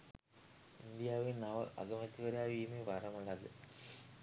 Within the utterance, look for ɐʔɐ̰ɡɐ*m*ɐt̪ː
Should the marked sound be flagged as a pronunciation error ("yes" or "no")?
no